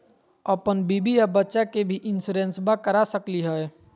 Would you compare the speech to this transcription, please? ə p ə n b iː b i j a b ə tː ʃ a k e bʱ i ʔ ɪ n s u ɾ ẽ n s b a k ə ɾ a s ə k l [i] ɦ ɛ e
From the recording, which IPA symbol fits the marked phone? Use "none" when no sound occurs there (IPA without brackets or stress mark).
i